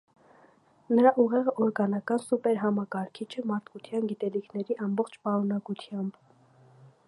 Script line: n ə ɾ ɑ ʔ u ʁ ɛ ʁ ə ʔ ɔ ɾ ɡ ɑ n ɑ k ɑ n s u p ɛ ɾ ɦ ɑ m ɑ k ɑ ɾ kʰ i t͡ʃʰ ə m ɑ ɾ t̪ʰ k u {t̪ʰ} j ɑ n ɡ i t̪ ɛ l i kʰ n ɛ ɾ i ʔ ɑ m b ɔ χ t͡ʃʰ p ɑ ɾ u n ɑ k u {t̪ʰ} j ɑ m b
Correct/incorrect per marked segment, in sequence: correct, correct

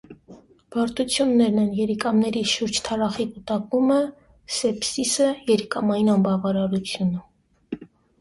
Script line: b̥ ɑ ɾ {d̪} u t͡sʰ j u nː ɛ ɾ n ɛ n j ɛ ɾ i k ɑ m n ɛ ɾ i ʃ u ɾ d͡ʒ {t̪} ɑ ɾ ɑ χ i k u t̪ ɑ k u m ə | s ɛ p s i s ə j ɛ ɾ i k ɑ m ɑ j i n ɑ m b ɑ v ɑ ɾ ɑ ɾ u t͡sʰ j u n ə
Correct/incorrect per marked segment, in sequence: incorrect: t̪, incorrect: t̪ʰ

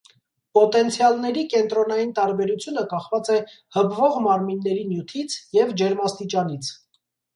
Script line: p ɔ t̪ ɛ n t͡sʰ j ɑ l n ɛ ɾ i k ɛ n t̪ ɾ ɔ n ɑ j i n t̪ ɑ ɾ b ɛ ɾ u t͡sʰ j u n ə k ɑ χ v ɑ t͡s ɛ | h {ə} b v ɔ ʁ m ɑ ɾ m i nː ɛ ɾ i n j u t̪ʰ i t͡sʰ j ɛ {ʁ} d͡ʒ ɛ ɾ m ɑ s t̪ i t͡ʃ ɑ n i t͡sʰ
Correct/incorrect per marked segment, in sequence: correct, incorrect: v

